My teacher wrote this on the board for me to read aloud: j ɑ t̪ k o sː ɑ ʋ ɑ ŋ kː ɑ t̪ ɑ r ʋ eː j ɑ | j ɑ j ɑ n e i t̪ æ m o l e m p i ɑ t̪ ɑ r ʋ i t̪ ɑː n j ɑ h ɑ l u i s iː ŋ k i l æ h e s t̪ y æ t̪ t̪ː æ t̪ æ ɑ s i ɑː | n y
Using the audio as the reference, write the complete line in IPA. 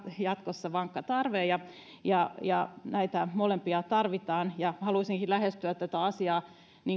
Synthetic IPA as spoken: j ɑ t̪ k o sː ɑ ʋ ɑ ŋ kː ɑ t̪ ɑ r ʋ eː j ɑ | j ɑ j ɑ n æ i t̪ æ m o l e m p i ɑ t̪ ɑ r ʋ i t̪ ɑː n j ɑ h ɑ l u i s i ŋ k i l æ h e s t̪ y æ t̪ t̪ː æ t̪ æ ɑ s i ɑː | n i

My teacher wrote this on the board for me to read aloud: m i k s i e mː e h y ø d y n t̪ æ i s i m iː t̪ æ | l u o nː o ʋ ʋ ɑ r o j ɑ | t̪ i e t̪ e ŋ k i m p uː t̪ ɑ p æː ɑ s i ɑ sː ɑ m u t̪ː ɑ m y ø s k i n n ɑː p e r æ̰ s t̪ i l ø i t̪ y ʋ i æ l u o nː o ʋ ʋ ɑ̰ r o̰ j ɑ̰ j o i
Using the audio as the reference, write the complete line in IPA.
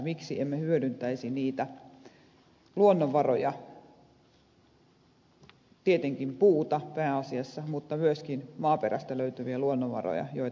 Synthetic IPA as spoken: m i k s i e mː e h y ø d y n t̪ æ i s i n iː t̪ æ | l u o nː o ʋ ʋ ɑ r o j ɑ | t̪ i e t̪ e ŋ k i m p uː t̪ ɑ p æː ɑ s i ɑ sː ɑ m u t̪ː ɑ m y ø s k i n m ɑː p e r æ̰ s t̪ æ l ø y t̪ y ʋ i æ l u o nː o ʋ ʋ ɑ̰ r o̰ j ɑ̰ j o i

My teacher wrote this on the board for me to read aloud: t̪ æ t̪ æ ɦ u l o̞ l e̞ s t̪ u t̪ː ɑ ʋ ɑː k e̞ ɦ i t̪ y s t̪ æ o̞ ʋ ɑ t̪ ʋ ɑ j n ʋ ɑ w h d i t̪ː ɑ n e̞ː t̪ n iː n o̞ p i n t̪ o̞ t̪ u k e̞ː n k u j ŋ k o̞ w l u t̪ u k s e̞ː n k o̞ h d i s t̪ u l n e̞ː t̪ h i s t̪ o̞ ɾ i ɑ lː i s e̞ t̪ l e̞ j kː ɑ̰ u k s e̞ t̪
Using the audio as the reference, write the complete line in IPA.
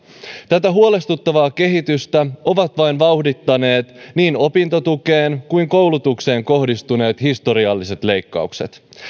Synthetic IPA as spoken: t̪ æ t̪ æ ɦ u o̞ l e̞ s t̪ u t̪ː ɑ ʋ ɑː k e̞ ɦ i t̪ y s t̪ æ o̞ ʋ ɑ t̪ ʋ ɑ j n ʋ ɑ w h d i t̪ː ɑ n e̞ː t̪ n iː n o̞ p i n t̪ o̞ t̪ u k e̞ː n k u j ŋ k o̞ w l u t̪ u k s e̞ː ŋ k o̞ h d i s t̪ u n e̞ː t̪ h i s t̪ o̞ ɾ i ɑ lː i s e̞ t̪ l e̞ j kː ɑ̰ u k s e̞ t̪

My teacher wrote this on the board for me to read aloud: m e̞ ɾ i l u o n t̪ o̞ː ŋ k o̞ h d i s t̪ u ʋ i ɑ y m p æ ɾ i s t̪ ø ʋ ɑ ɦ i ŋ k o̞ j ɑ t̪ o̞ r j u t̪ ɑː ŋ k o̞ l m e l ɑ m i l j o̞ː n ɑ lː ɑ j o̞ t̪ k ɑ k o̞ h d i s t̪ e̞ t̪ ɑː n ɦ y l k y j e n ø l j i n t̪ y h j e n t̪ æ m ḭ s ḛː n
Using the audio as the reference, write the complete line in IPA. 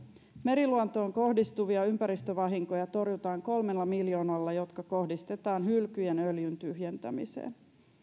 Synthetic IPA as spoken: m e̞ ɾ i l u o n t̪ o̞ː ŋ k o̞ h d i s t̪ u ʋ i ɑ y m p æ ɾ i s t̪ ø ʋ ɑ ɦ i ŋ k o̞ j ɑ t̪ o̞ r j u t̪ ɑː ŋ k o̞ l m e lː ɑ m i l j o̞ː n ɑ lː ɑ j o̞ t̪ k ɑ k o̞ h d i s t̪ e̞ t̪ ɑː n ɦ y l k y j e n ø l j y n t̪ y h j e n t̪ æ m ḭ s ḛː n

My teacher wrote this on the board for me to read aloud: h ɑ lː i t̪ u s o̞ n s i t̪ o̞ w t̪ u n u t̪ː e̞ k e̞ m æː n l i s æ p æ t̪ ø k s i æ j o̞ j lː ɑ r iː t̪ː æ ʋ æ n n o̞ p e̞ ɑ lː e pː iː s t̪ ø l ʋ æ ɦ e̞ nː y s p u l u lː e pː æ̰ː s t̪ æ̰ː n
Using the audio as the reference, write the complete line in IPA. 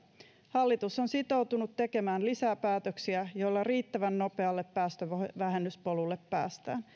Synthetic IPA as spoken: h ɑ lː i t̪ u s o̞ n s i t̪ o̞ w t̪ u n u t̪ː e̞ k e̞ m æː n l i s æ p æː t̪ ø k s i æ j o̞ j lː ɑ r iː t̪ː æ ʋ æ n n o̞ p e̞ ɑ lː e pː æː s t̪ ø ʋ æ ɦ e̞ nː y s p o l u lː e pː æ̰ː s t̪ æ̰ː n

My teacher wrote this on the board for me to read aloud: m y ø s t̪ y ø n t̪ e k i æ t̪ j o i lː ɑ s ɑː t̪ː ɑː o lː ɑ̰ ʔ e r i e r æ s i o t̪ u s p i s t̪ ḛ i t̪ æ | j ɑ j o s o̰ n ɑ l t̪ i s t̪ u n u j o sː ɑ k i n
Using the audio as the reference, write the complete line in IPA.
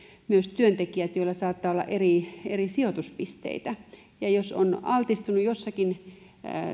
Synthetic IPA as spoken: m y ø s t̪ y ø n t̪ e k i æ t̪ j o i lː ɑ s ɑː t̪ː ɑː o lː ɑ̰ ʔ e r i e r i s i o t̪ u s p i s t̪ ḛ i t̪ æ | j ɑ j o s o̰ n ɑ l t̪ i s t̪ u n u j o sː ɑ k i n

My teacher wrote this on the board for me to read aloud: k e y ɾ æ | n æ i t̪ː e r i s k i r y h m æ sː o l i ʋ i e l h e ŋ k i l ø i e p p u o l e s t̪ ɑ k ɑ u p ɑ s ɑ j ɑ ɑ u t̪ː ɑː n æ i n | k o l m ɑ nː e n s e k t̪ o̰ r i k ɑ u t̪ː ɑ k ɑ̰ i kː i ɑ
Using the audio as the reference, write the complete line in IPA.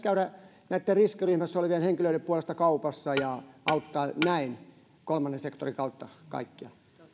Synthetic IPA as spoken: k æ y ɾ æ | n æ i t̪ː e r i s k i r y h m æ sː o l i ʋ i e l h e ŋ k i l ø i e p p u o l e s t̪ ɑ k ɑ u p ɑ sː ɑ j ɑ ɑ u t̪ː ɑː n æ i n | k o l m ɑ nː e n s e k t̪ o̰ r i k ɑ u t̪ː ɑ k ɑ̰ i kː i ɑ

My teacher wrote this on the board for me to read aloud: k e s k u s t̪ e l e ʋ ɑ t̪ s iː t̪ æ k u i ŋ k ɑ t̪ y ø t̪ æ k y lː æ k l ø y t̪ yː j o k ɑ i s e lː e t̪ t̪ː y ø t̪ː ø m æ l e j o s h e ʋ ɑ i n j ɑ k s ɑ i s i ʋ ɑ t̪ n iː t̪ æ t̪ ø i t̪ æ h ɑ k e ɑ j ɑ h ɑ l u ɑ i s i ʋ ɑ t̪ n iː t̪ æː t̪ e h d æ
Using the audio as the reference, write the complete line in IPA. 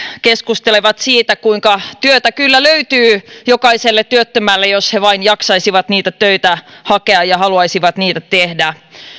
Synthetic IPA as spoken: k e s k u s t̪ e l e ʋ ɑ t̪ s iː t̪ æ k u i ŋ k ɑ t̪ y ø t̪ æ k y lː æ l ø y t̪ yː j o k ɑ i s e lː e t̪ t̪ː y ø t̪ː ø m æ lː e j o s h e ʋ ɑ i n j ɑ k s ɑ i s i ʋ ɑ t̪ n iː t̪ æ t̪ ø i t̪ æ h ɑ k e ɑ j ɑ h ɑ l u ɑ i s i ʋ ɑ t̪ n iː t̪ æ t̪ e h d æ

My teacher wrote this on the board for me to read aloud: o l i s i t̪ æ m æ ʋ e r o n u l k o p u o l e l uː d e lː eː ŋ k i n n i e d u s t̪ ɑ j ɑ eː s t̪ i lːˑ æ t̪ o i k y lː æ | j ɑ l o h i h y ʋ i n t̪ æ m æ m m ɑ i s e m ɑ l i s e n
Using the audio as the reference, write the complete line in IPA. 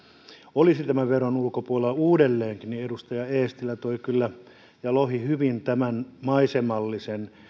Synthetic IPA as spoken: o l i s i t̪ æ m æ ʋ e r o n u l k o p u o l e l uː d e lː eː ŋ k i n n i e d u s t̪ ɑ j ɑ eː s t̪ i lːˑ æ t̪ o i k y lː æ | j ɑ l o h i h y ʋ i n t̪ æ m æ n m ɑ i s e m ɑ lː i s e n

